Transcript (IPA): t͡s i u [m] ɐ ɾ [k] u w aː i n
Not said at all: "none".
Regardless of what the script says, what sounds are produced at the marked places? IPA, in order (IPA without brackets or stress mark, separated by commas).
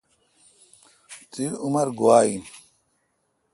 m, ɡ